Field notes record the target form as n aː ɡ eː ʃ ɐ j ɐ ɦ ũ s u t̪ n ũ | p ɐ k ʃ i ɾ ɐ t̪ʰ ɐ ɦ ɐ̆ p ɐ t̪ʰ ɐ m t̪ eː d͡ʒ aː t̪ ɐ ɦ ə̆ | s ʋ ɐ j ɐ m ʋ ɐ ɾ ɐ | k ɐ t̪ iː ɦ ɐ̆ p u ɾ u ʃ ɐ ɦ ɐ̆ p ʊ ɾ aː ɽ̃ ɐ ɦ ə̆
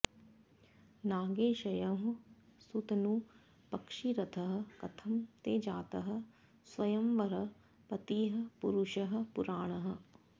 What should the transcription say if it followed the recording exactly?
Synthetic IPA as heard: n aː ɡ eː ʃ ɐ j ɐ ɦ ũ s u t̪ n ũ | p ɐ k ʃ i ɾ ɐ t̪ʰ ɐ ɦ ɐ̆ k ɐ t̪ʰ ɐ m t̪ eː d͡ʒ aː t̪ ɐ ɦ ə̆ | s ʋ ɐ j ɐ m ʋ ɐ ɾ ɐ | p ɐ t̪ iː ɦ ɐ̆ p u ɾ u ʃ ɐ ɦ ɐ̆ p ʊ ɾ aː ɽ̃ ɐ ɦ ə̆